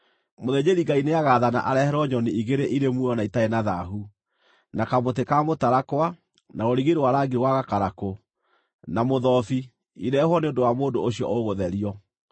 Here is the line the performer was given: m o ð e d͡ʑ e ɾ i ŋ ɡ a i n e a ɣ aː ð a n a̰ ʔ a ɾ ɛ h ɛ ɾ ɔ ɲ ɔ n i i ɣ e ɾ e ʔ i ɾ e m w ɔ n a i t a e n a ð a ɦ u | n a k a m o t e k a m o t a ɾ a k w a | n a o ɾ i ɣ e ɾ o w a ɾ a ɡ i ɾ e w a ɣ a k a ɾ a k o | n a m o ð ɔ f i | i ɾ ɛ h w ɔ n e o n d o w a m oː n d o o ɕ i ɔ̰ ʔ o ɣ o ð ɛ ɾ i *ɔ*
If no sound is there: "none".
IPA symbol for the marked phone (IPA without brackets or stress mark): ɔ